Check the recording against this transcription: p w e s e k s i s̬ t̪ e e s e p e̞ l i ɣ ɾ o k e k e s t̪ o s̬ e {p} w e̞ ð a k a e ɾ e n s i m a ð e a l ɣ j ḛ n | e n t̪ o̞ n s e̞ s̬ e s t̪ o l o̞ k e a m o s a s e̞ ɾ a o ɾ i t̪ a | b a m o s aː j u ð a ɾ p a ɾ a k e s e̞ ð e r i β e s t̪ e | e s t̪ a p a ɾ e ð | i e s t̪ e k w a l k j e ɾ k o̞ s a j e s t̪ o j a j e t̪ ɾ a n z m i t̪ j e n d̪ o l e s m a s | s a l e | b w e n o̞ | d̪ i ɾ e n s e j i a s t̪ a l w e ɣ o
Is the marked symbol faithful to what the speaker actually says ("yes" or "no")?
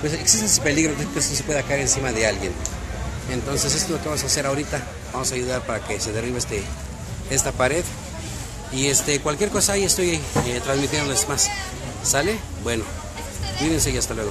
yes